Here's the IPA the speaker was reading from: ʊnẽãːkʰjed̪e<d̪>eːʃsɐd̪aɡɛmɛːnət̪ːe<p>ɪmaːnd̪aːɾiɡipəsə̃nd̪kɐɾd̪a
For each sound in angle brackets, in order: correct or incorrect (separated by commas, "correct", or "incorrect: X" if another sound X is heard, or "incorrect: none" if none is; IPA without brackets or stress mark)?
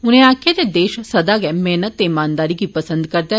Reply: correct, incorrect: none